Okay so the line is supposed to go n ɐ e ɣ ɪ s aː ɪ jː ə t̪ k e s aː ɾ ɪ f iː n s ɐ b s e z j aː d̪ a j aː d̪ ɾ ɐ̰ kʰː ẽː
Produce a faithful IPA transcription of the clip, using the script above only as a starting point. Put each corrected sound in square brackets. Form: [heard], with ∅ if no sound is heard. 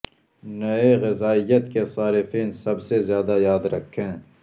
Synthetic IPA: n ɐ e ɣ ɪ [z] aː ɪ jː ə t̪ k e s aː ɾ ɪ f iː n s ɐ b s e z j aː d̪ a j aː d̪ ɾ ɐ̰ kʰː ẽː